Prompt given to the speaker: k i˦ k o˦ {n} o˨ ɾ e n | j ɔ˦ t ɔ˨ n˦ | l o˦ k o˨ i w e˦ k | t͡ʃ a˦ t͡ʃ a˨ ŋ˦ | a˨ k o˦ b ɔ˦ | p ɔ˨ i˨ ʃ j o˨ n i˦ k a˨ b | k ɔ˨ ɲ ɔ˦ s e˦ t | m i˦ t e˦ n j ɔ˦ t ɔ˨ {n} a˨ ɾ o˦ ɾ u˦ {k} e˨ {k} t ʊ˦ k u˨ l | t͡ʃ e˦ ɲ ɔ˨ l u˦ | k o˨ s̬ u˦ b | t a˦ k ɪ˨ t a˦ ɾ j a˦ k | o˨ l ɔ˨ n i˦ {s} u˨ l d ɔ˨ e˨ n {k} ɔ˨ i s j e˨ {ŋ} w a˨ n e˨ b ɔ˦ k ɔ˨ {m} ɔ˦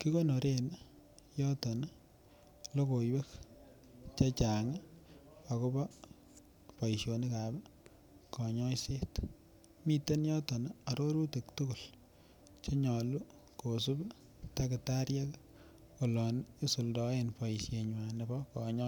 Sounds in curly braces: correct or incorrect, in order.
correct, correct, incorrect: t, correct, correct, incorrect: p, incorrect: ɲ, incorrect: ɲ

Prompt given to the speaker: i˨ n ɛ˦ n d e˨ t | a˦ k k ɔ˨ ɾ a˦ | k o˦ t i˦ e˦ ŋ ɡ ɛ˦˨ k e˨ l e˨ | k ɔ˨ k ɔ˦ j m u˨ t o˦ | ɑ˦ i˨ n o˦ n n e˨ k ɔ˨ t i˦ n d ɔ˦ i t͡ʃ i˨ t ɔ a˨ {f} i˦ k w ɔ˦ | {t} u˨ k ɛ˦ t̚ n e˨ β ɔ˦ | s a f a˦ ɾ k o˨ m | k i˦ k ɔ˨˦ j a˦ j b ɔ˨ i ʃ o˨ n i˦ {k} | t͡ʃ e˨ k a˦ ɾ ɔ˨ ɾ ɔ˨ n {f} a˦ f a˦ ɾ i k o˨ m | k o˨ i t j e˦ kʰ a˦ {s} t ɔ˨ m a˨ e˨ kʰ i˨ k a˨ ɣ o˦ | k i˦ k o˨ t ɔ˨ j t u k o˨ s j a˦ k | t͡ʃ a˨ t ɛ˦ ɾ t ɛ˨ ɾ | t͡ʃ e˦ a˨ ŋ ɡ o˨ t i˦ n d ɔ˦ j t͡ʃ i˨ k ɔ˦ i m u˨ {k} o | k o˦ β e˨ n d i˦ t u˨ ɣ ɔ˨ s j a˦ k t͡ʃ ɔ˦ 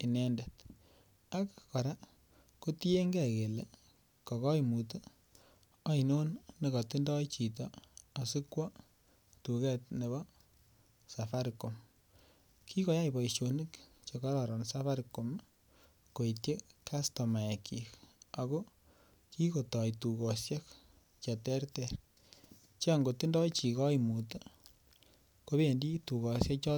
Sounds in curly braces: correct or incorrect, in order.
incorrect: s, correct, correct, incorrect: s, correct, incorrect: t

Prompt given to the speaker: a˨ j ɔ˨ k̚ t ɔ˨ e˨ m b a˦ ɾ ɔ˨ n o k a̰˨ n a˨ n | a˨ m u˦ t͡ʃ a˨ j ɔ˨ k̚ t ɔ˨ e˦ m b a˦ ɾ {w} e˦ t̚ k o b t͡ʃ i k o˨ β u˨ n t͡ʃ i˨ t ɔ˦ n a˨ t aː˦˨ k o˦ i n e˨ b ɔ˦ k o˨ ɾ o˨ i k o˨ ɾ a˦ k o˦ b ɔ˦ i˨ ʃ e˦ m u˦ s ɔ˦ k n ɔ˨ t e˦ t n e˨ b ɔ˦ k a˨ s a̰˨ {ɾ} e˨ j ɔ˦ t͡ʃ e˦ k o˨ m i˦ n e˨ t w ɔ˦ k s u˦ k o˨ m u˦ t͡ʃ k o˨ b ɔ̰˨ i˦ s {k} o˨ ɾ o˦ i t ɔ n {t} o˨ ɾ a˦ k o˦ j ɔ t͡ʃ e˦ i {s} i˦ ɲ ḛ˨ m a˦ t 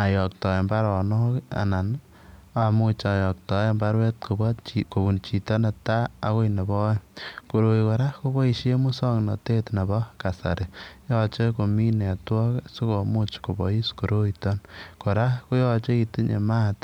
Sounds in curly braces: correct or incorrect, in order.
correct, correct, correct, incorrect: k, incorrect: t

